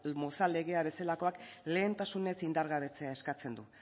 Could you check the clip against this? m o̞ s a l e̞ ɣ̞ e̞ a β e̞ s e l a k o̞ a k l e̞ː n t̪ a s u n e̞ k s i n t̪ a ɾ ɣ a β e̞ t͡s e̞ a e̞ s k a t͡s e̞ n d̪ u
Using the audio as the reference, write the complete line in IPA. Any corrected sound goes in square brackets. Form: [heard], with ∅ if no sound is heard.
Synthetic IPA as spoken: m o̞ s a l e̞ ɣ̞ e̞ a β e̞ s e l a k o̞ a k l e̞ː n t̪ a s u n e̞ [∅] s i n [d̪] a ɾ ɣ a β e̞ t͡s e̞ a e̞ s k a t͡s e̞ n d̪ u